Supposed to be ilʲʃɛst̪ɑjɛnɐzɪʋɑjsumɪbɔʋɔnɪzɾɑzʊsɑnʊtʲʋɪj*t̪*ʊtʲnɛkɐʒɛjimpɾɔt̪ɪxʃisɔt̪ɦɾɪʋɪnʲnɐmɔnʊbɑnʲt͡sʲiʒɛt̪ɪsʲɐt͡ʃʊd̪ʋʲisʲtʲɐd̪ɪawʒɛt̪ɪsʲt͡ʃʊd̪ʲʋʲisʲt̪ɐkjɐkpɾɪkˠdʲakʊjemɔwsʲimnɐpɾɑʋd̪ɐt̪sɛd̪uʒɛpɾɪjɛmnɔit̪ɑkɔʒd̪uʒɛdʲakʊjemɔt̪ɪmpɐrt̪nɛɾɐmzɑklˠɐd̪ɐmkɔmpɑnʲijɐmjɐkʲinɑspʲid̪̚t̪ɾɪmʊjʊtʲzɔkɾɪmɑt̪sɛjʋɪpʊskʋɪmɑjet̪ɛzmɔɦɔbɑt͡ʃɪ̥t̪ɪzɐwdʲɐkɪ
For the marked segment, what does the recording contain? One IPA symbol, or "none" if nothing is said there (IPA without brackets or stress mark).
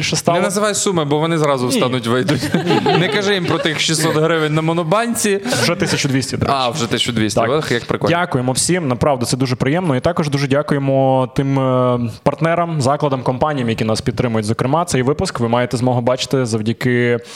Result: d̪